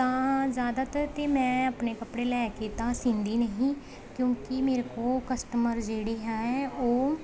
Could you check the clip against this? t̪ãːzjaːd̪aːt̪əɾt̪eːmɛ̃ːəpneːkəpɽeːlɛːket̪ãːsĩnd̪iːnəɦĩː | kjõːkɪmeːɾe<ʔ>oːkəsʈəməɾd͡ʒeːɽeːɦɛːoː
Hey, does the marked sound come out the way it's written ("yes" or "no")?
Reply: no